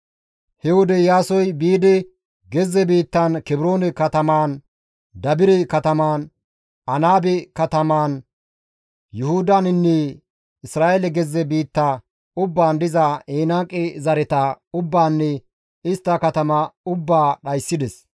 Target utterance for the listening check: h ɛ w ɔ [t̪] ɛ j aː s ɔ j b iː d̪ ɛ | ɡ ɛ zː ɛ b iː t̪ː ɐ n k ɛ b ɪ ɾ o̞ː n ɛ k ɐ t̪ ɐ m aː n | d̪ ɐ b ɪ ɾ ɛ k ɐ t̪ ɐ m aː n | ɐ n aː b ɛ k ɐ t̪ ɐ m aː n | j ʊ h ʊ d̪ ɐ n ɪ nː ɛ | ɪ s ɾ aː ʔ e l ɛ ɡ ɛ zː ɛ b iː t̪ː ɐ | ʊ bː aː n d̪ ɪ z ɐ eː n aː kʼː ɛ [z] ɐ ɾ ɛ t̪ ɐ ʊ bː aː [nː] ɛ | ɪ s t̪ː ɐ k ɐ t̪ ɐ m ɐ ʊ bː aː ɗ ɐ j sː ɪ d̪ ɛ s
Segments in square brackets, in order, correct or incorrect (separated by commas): incorrect, correct, correct